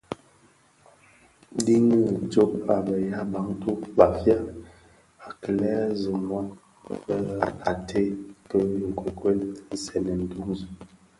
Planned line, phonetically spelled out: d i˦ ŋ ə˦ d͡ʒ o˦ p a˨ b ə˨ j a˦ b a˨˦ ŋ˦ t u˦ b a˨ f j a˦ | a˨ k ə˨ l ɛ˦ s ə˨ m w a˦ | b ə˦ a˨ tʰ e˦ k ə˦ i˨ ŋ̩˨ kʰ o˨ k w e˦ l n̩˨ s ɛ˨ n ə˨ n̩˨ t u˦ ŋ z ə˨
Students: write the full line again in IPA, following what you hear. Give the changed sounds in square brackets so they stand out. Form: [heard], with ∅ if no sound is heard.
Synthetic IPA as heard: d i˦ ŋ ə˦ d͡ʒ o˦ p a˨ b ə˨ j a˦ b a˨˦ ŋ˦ t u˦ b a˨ f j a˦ | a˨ k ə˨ l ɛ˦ [z] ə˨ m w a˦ | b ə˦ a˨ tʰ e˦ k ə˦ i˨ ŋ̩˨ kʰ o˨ k w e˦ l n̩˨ s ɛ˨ n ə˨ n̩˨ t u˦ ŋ z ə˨